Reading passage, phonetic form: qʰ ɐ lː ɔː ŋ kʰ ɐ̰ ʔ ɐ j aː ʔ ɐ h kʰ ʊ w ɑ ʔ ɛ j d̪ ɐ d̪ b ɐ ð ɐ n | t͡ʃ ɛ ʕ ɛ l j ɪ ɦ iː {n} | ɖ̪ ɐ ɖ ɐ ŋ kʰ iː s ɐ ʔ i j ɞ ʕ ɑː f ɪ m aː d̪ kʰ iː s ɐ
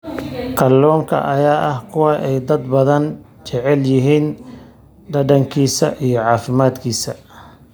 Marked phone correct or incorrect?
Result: correct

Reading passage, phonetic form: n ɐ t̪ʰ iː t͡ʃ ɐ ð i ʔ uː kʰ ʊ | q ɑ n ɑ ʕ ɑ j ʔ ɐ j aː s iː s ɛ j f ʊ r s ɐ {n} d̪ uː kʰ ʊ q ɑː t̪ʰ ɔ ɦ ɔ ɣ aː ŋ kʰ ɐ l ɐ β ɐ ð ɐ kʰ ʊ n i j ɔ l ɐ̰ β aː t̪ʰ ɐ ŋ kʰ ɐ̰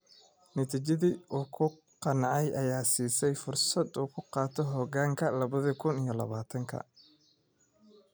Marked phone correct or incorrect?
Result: incorrect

